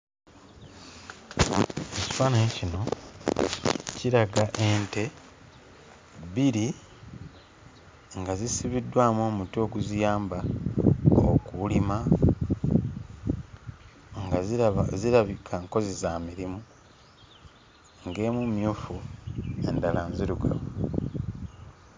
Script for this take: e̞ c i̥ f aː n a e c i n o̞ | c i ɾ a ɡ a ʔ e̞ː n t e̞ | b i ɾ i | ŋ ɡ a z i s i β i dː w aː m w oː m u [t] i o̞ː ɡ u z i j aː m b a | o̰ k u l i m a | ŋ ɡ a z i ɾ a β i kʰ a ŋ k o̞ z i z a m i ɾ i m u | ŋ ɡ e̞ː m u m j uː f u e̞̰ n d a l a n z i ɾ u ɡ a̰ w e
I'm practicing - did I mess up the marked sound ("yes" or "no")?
no